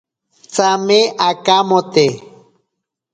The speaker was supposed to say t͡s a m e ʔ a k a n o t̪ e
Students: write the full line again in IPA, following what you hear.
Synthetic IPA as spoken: t͡s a m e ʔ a k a m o t̪ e